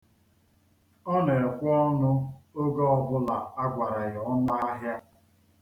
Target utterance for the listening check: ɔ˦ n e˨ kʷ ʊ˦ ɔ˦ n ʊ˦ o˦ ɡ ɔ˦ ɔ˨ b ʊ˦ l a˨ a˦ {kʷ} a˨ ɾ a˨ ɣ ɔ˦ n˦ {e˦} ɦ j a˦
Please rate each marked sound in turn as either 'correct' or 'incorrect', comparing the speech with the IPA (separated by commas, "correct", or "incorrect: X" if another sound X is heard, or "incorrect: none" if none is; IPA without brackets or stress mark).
incorrect: ɡʷ, incorrect: a˦